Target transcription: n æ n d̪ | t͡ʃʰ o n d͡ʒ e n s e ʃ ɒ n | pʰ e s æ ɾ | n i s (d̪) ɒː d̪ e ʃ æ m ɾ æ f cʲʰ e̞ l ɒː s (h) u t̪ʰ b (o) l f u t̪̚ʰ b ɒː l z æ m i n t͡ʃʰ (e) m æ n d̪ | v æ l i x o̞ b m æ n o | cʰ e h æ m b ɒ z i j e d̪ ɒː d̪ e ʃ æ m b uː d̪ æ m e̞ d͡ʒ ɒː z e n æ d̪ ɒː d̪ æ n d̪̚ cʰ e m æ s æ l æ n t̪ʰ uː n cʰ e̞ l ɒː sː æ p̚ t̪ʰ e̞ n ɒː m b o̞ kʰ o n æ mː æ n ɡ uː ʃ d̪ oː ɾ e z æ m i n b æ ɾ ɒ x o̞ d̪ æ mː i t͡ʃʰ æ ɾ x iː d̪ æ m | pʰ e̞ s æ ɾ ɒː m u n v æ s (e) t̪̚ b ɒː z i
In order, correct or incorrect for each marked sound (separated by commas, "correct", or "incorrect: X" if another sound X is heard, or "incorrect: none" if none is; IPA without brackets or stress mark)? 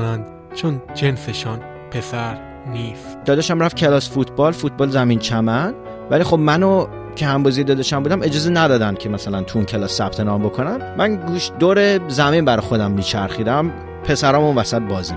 correct, incorrect: f, incorrect: ɒ, incorrect: æ, incorrect: æ